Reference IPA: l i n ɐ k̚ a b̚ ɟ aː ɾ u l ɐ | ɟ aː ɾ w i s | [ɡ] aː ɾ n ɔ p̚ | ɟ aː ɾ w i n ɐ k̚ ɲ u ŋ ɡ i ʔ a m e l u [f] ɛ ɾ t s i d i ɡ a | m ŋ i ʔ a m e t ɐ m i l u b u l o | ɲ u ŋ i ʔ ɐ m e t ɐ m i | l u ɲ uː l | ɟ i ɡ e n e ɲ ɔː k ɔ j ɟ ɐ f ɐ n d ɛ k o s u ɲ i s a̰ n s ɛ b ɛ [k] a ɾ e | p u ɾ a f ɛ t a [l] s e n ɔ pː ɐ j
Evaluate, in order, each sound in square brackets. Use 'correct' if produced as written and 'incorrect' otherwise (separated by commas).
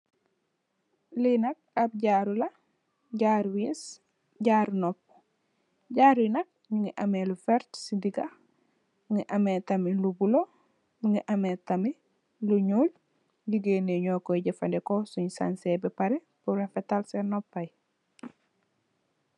incorrect, correct, incorrect, correct